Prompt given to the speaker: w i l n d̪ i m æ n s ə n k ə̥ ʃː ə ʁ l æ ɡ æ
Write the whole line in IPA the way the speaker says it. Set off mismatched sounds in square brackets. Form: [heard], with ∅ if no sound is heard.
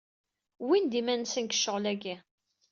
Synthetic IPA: w i [∅] n d̪ i m æ n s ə n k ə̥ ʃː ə ʁ l æ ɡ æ